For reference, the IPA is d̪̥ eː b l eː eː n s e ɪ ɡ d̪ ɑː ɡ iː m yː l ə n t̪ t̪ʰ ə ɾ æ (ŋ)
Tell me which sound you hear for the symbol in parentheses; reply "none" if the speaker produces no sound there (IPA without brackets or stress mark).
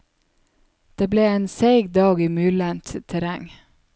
ŋ